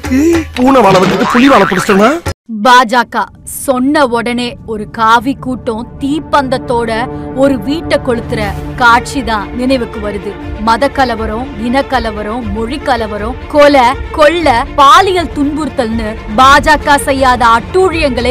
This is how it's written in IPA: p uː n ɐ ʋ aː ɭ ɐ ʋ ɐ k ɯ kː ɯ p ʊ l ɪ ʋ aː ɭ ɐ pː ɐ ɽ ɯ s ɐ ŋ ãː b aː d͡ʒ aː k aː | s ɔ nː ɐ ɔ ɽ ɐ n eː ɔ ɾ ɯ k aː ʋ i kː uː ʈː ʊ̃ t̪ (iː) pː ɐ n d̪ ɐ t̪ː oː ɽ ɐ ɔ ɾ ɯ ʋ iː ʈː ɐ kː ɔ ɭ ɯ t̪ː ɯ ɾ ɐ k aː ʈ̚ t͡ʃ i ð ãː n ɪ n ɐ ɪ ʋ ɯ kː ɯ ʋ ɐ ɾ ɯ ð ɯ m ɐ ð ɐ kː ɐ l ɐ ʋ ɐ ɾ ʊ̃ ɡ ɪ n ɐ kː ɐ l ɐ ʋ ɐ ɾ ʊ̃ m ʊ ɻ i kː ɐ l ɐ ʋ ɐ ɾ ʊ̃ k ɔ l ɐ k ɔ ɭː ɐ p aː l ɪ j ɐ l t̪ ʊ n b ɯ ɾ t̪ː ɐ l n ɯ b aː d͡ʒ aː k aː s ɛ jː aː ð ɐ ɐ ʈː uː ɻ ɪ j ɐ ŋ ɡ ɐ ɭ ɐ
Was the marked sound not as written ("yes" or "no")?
no